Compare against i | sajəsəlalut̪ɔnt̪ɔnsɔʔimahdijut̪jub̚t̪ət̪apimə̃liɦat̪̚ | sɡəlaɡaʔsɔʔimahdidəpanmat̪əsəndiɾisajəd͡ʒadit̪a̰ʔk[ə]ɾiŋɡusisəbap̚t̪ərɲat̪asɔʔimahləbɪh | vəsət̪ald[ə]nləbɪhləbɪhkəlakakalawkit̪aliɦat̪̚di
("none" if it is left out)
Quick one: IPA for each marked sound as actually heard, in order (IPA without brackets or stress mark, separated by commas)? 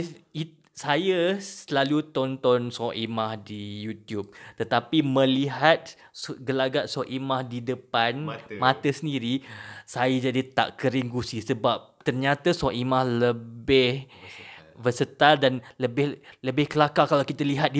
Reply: ə, a